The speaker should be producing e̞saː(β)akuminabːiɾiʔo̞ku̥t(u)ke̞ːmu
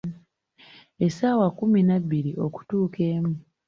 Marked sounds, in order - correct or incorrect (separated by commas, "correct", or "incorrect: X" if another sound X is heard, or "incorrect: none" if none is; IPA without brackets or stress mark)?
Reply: incorrect: w, incorrect: uː